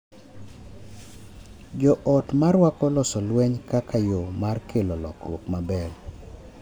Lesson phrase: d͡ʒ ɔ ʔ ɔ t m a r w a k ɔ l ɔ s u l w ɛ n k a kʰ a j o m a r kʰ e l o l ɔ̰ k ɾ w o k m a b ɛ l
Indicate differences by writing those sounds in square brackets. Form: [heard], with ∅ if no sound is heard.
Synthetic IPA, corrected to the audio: d͡ʒ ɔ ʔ ɔ t m a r w a k ɔ l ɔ s [ɔ] l w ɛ [ɲ] k a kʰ a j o m a r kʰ e l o l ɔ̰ k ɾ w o k m a b ɛ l

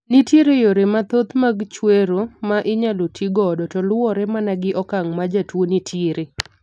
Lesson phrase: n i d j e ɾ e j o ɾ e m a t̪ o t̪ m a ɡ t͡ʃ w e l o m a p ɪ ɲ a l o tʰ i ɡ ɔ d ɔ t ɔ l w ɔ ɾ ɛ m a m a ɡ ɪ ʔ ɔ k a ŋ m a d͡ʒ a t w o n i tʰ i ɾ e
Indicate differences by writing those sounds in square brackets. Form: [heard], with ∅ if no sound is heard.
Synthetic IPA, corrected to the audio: n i [t] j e ɾ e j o ɾ e m a t̪ o t̪ m a ɡ t͡ʃ w e [ɾ] o m a [ʔ] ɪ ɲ a l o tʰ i ɡ ɔ d ɔ t ɔ l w ɔ ɾ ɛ m a [n] a ɡ ɪ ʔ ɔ k a ŋ m a d͡ʒ a t w o n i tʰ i ɾ e

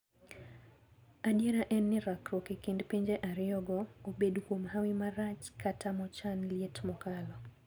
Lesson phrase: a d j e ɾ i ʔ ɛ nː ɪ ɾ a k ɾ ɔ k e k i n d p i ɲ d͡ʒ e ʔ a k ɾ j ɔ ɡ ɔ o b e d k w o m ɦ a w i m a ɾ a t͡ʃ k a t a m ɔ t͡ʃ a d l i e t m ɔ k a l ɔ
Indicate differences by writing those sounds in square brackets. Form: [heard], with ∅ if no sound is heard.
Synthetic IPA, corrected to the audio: a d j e ɾ [a] ʔ ɛ nː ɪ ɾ a k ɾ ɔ k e k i n d p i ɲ d͡ʒ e ʔ a [∅] ɾ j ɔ ɡ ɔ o b e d k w o m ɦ a w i m a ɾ a t͡ʃ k a t a m ɔ t͡ʃ a [n] l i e t m ɔ k a l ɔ

